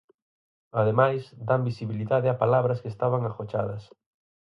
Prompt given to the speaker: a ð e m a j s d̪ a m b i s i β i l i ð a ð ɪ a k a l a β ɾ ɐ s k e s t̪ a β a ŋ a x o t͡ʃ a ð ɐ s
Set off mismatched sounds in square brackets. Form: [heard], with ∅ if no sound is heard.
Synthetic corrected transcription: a ð e m a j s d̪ a m b i s i β i l i ð a ð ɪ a [p] a l a β ɾ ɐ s k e s t̪ a β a ŋ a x o t͡ʃ a ð ɐ s